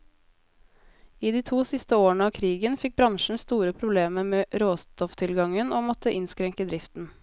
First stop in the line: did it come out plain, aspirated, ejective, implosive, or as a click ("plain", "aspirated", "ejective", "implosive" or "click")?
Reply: plain